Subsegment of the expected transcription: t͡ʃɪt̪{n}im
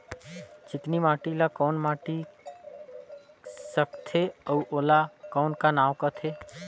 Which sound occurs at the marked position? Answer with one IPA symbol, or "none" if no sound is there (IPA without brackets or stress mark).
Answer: n